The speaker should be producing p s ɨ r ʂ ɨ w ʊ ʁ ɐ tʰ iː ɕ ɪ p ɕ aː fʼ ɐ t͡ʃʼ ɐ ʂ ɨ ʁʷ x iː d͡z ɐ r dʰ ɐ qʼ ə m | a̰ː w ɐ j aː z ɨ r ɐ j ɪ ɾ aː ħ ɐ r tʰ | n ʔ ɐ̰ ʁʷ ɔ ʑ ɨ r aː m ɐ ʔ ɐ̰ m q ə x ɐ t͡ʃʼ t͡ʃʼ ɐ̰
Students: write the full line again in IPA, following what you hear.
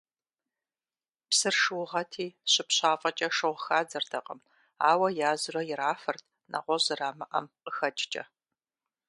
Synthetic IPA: p s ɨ r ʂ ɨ w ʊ ʁ ɐ tʰ iː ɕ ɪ p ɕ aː fʼ ɐ t͡ʃʼ ɐ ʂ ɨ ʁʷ x aː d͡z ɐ r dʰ ɐ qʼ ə m | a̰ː w ɐ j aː z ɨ r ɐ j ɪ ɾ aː f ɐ r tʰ | n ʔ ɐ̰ ʁʷ ɔ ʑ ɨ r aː m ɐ ʔ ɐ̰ m q ə x ɐ t͡ʃʼ t͡ʃʼ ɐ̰

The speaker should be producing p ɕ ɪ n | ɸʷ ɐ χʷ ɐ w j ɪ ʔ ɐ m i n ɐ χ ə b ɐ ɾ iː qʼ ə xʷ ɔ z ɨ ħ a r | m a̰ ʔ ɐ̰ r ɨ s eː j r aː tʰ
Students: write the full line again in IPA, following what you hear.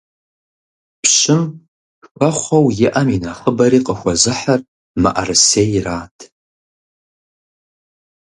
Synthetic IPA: p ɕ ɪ m | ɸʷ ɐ χʷ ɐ w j ɪ ʔ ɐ m i n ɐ χ ə b ɐ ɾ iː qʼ ə xʷ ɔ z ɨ ħ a r | m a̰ ʔ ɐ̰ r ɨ s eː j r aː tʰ

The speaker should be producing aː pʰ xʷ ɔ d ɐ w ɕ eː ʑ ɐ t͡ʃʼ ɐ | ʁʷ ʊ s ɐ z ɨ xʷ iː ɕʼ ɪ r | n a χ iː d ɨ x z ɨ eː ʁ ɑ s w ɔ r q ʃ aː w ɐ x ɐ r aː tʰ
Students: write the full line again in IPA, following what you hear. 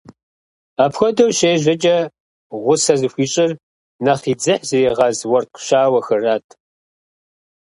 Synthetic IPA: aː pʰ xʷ ɔ d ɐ w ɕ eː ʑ ɐ t͡ʃʼ ɐ | ʁʷ ʊ s ɐ z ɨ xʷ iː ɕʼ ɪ r | n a χ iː d͡z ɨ ħ z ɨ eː ʁ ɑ z w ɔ r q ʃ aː w ɐ x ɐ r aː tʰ

